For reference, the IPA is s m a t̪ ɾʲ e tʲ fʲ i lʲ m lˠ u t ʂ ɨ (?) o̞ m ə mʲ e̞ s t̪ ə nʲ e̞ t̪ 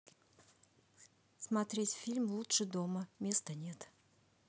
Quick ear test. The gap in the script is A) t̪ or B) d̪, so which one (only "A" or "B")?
B